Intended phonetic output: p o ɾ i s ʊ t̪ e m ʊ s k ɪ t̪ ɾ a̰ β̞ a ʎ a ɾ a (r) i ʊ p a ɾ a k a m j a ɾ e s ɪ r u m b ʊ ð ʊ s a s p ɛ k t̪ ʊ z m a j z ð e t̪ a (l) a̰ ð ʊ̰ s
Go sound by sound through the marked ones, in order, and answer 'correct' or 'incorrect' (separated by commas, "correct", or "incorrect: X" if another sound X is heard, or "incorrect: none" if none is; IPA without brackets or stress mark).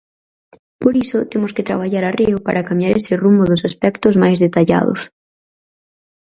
correct, incorrect: ʎ